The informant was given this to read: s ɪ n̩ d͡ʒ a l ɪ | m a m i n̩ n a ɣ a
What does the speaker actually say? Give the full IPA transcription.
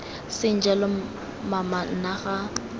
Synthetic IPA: s ɪ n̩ d͡ʒ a l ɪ | m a m a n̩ n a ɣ a